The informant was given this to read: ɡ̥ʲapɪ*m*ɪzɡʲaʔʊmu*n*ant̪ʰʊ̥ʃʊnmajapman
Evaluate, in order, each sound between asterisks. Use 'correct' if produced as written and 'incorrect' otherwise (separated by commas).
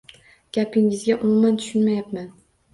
incorrect, incorrect